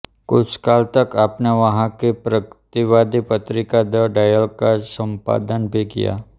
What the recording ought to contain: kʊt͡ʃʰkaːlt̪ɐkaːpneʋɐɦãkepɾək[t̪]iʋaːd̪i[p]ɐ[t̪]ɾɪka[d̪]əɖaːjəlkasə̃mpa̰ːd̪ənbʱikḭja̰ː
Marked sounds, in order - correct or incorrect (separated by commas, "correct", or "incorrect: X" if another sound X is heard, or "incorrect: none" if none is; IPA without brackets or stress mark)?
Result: correct, correct, correct, correct